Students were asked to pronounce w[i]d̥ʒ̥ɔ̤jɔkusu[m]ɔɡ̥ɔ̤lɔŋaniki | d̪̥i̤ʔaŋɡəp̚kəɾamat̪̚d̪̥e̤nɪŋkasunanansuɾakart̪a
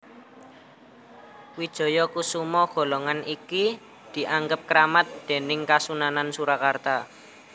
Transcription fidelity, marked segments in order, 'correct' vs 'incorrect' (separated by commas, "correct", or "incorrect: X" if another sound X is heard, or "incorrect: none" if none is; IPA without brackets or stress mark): correct, correct